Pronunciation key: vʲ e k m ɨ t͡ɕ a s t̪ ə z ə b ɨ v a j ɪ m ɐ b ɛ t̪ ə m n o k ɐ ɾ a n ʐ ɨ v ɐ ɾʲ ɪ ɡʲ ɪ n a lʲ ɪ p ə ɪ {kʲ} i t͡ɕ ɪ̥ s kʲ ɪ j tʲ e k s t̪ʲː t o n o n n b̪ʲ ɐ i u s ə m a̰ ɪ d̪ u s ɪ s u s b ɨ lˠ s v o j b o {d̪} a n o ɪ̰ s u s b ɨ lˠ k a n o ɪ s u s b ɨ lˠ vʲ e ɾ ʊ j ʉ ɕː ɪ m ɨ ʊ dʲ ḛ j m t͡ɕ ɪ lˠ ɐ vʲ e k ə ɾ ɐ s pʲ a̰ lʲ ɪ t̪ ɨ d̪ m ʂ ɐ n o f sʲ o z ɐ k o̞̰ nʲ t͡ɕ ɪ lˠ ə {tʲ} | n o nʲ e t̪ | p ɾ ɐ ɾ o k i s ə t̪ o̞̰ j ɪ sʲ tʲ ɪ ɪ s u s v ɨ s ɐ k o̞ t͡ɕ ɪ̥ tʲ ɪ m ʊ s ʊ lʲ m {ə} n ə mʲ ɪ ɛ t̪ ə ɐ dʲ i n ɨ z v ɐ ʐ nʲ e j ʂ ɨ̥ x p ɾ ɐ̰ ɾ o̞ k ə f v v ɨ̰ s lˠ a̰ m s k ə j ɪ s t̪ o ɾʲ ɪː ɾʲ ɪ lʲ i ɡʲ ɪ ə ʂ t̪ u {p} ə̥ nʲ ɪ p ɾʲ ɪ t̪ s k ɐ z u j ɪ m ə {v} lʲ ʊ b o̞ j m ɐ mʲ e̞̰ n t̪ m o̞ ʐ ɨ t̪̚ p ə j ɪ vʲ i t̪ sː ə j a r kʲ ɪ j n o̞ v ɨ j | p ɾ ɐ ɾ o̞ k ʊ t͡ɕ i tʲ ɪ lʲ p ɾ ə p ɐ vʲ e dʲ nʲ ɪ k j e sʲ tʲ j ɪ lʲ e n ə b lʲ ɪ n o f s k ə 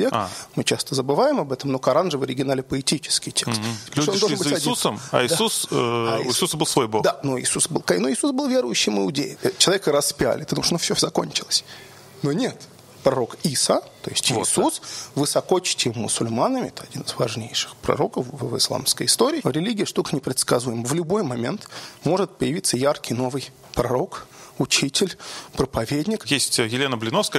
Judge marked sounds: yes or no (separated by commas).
no, yes, no, no, no, yes